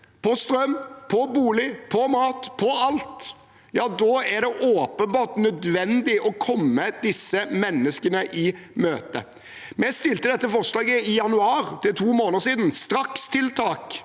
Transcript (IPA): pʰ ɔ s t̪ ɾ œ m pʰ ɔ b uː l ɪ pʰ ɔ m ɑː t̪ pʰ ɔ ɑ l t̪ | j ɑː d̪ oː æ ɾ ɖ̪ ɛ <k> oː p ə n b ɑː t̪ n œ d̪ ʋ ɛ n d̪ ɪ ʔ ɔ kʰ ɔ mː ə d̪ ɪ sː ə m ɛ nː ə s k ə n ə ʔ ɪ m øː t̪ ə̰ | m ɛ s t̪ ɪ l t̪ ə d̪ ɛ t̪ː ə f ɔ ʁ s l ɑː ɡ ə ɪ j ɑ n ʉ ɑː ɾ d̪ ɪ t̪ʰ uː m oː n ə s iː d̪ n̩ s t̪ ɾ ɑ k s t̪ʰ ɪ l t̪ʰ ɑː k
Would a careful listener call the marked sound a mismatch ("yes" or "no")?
yes